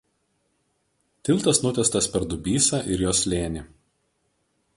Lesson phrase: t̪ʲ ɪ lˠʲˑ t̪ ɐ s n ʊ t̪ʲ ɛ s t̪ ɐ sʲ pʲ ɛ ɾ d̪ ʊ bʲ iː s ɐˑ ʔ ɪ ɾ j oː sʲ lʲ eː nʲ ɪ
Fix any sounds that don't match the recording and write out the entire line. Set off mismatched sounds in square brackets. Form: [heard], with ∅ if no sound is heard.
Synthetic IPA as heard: t̪ʲ ɪ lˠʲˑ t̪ ɐ s n ʊ t̪ʲ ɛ s t̪ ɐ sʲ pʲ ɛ ɾ d̪ ʊ bʲ iː s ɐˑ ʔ ɪ ɾ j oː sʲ lʲ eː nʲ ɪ